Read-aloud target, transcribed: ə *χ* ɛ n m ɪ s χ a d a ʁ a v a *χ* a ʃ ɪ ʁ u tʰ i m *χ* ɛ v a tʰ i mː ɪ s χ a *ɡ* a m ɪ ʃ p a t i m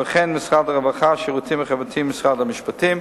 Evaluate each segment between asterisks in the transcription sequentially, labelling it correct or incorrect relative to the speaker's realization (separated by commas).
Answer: correct, correct, correct, incorrect